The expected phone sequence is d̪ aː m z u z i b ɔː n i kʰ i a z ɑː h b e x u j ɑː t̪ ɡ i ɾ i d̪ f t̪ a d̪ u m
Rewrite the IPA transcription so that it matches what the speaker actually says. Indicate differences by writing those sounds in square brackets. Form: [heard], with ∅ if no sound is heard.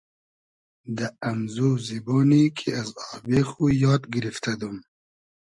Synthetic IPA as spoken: d̪ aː m z u z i b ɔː n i kʰ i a z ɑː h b e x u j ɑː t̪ ɡ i ɾ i [∅] f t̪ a d̪ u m